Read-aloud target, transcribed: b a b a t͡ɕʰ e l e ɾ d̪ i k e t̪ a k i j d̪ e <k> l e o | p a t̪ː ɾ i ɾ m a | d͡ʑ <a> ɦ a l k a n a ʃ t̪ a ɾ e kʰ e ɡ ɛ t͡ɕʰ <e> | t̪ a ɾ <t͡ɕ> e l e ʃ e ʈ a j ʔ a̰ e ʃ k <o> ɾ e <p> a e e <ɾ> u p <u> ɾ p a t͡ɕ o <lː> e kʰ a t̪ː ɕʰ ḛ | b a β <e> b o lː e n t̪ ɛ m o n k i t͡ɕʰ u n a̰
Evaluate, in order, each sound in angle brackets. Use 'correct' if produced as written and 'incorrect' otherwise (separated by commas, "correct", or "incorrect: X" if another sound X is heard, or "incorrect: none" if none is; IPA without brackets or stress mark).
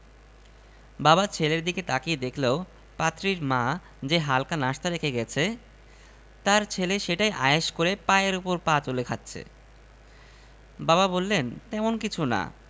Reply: incorrect: kʰ, incorrect: e, correct, incorrect: t͡ɕʰ, correct, correct, correct, incorrect: o, incorrect: l, incorrect: a